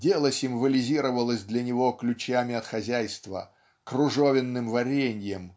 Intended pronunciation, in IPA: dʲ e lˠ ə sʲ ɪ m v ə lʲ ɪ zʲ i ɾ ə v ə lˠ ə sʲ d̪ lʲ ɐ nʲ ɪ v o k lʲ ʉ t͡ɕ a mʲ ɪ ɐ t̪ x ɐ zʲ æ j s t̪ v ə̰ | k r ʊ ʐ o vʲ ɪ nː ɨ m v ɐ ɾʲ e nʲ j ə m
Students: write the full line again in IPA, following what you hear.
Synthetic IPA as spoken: dʲ e lˠ ə sʲ ɪ m v ə lʲ ɪ zʲ i ɾ ə v ə lˠ ə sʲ d̪ lʲ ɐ nʲ ɪ v o k lʲ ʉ t͡ɕ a mʲ ɪ ɐ t̪ x ɐ zʲ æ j s t̪ v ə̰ | k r ʊ ʐ o vʲ ɪ nː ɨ m v ɐ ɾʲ e nʲ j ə m